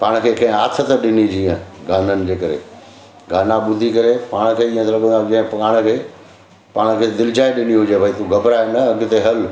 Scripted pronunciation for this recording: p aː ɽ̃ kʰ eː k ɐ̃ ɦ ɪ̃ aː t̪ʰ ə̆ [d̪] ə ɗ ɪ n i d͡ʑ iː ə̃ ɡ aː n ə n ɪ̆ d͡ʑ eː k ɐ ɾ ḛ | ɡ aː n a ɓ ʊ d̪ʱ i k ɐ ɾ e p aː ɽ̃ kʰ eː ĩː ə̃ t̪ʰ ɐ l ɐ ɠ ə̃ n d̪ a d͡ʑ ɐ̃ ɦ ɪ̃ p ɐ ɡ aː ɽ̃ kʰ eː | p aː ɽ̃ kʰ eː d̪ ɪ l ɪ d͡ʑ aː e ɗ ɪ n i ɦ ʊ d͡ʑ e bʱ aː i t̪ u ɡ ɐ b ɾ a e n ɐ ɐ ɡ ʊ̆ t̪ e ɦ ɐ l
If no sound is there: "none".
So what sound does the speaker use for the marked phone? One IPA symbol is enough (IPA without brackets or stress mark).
t̪